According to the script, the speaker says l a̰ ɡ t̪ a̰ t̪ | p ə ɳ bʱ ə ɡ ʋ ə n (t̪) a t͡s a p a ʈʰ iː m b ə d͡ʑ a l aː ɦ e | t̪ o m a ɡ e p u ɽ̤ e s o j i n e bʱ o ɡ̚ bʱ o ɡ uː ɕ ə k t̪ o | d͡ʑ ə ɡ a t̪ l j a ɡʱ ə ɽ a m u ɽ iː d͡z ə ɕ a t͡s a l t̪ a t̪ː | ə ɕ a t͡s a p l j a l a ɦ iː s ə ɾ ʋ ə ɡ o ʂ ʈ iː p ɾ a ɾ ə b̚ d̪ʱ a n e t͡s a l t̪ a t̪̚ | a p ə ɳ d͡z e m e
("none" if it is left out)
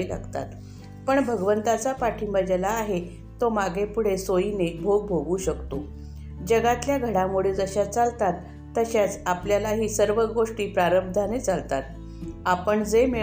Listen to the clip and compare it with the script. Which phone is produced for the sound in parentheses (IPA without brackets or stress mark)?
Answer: t̪